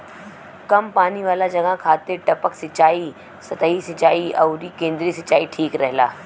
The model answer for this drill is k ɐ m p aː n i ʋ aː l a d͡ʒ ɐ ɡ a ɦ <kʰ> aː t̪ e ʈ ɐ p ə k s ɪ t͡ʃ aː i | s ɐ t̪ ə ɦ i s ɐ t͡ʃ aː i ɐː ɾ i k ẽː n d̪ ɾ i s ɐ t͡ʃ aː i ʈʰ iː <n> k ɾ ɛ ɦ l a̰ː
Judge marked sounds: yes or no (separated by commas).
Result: yes, no